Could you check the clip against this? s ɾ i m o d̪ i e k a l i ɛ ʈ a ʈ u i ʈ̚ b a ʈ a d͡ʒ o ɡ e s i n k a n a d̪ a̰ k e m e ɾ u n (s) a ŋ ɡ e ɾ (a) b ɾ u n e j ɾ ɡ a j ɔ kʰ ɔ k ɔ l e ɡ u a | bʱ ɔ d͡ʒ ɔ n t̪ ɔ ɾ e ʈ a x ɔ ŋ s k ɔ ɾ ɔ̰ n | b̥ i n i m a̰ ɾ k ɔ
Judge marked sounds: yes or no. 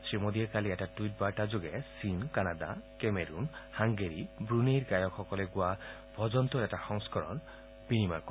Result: no, no

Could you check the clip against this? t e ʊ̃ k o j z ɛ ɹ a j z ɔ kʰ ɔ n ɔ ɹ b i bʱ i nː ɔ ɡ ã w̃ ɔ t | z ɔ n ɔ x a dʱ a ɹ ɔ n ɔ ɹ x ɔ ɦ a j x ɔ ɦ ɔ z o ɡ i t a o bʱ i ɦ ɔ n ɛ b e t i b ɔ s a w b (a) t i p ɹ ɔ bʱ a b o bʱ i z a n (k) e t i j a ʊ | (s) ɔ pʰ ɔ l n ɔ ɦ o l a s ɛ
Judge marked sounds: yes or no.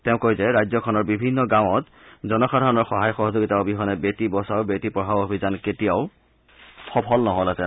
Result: no, yes, no

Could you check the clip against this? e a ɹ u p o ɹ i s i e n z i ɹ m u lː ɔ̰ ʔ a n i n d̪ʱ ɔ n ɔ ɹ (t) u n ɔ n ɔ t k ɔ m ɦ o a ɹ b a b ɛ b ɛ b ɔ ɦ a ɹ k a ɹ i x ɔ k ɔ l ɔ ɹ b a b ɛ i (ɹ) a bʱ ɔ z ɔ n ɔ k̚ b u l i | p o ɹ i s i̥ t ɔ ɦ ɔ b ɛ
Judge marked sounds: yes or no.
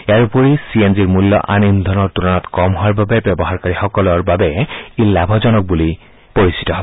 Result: yes, no

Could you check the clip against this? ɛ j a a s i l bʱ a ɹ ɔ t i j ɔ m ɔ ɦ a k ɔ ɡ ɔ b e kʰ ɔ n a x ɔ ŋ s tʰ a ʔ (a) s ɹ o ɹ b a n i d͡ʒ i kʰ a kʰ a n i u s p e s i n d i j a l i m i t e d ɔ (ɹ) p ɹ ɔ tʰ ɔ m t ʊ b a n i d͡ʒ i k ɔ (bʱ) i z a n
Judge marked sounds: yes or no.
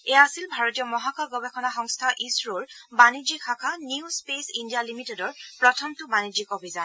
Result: no, yes, yes

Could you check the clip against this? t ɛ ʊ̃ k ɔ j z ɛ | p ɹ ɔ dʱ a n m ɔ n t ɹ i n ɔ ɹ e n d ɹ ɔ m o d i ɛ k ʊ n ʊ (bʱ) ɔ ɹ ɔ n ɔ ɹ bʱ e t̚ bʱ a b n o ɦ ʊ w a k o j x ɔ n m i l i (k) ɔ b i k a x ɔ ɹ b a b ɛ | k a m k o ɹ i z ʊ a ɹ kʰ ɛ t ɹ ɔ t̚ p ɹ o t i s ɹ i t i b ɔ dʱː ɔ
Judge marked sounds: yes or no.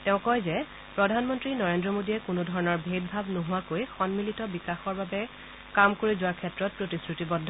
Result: no, no

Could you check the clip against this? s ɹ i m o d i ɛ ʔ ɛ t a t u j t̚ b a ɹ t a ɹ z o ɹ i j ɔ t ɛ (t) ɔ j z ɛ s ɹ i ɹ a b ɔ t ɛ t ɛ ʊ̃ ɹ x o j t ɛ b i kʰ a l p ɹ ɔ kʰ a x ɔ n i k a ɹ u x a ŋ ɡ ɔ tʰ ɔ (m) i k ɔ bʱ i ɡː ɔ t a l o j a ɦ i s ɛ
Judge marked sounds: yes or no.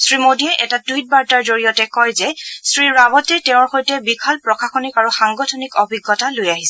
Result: no, no

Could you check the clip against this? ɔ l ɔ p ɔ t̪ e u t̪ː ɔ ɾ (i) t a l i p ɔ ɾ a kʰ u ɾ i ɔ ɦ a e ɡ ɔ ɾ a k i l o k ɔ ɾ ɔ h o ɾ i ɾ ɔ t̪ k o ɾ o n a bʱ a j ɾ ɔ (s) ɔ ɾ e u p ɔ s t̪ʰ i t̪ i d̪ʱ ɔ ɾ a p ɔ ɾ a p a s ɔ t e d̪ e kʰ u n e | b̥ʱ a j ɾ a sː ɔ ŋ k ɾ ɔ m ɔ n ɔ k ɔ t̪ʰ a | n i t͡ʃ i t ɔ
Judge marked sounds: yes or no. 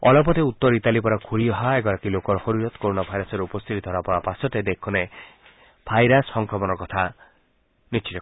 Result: yes, yes

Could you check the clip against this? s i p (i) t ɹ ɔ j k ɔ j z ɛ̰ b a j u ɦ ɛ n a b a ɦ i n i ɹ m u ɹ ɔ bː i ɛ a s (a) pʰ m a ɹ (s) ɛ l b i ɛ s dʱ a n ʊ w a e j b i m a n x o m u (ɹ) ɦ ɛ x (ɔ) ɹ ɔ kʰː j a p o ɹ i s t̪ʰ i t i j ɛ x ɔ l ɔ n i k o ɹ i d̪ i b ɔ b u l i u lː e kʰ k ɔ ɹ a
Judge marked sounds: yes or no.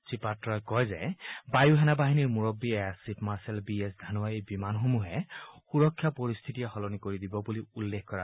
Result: no, no, yes, no, no

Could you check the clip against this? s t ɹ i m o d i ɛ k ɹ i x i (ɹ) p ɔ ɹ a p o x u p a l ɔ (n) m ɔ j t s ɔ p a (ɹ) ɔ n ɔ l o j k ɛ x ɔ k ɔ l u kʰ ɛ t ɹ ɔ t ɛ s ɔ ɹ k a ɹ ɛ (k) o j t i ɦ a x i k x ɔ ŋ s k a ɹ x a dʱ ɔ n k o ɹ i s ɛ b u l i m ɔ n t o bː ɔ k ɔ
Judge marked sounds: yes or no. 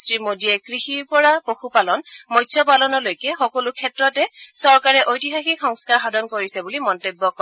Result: yes, yes, no, no

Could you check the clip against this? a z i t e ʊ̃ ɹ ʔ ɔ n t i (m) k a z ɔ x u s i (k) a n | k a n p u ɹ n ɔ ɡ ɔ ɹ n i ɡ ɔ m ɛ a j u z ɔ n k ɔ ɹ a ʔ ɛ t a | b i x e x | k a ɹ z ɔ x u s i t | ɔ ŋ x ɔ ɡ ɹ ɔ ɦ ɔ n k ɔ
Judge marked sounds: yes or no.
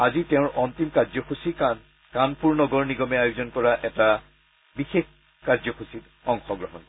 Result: yes, yes

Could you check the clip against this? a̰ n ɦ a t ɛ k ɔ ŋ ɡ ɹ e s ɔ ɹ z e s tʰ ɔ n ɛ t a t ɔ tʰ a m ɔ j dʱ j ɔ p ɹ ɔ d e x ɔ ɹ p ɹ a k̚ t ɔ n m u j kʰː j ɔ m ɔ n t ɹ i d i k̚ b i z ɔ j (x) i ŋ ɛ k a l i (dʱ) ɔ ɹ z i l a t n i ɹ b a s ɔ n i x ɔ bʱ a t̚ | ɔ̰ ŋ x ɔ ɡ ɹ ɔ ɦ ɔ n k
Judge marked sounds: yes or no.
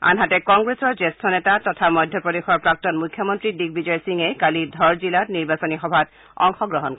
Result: no, yes

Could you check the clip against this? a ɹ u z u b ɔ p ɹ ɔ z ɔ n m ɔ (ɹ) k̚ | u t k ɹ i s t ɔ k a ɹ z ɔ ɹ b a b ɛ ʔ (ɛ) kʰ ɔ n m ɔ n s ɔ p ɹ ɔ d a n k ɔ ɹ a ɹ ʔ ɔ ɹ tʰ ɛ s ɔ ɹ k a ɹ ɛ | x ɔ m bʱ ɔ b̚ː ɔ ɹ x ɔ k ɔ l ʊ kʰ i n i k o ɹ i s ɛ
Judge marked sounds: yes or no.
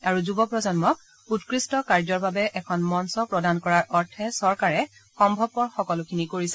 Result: no, yes

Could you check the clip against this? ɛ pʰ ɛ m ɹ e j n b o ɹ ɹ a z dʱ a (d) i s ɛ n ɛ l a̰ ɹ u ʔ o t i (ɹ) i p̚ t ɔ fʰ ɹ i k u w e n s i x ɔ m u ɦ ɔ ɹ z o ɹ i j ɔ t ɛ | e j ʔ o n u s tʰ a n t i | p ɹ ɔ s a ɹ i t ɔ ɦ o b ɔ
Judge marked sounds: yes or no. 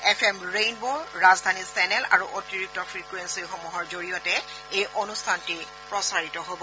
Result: no, yes

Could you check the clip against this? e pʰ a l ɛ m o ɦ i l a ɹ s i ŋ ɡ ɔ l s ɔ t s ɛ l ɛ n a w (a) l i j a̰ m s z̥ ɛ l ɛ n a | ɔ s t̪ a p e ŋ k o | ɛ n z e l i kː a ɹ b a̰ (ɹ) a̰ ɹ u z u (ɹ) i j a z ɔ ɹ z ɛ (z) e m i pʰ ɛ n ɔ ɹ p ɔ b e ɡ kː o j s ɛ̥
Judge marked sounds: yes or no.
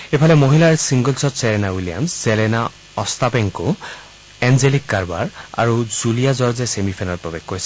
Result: no, yes, no, no

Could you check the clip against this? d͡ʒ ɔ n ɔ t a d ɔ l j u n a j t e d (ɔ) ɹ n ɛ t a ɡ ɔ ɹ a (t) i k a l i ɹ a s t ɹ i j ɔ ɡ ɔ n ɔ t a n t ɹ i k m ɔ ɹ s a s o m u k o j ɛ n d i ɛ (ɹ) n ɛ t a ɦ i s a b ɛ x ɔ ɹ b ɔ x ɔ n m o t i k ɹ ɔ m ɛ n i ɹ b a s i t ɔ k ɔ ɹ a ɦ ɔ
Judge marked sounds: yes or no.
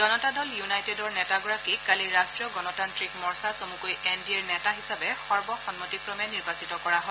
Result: yes, no, yes

